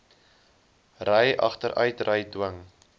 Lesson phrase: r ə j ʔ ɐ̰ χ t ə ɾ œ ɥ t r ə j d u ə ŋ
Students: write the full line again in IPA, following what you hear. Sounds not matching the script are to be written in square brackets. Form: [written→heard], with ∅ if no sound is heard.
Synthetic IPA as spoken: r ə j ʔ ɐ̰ χ t ə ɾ œ ɥ t r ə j d [u→w] ə ŋ